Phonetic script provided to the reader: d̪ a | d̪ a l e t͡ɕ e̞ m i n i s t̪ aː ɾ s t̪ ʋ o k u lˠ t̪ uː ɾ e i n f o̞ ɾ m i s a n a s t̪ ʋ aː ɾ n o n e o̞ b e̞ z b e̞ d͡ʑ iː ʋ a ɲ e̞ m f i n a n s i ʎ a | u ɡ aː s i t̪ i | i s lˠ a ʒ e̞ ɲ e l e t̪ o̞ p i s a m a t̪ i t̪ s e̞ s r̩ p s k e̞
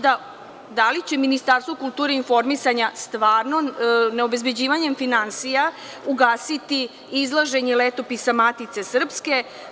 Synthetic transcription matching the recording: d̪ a | d̪ a l i t͡ɕ e̞ m i n i s t̪ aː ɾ s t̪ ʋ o k u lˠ t̪ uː ɾ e i n f o̞ ɾ m i s a ɲ a s t̪ ʋ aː ɾ n o n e o̞ b e̞ z b e̞ d͡ʑ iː ʋ a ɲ e̞ m f i n a n s i j a | u ɡ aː s i t̪ i | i z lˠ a ʒ e̞ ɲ e l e t̪ o̞ p i s a m a t̪ i t̪ s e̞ s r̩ p s k e̞